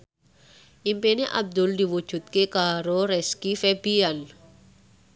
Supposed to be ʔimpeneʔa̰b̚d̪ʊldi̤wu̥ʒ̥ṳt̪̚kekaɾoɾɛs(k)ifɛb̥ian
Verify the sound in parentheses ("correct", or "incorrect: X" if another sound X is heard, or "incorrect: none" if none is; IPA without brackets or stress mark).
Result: correct